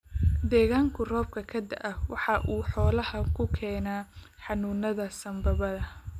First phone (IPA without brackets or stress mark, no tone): d̪